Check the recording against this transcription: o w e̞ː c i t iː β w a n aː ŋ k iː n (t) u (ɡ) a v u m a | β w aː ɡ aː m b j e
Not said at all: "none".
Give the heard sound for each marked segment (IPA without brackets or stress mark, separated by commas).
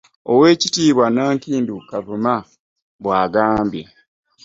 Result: d, k